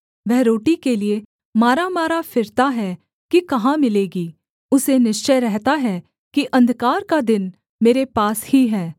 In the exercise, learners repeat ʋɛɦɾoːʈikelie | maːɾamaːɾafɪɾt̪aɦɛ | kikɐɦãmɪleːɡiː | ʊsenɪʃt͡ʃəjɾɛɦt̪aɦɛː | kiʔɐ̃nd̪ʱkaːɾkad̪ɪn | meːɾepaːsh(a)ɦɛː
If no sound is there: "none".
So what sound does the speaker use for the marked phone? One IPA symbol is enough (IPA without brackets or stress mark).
i